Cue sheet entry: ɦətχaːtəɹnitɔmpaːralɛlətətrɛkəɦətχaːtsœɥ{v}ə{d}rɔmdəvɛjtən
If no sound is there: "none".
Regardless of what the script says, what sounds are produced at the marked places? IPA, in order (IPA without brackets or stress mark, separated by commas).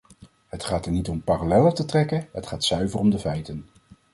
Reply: v, none